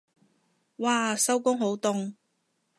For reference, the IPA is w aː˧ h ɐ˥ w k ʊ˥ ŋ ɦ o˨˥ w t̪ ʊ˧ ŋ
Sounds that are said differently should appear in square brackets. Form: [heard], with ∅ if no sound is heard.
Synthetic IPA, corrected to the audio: w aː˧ [s] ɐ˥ w k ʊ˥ ŋ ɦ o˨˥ w t̪ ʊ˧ ŋ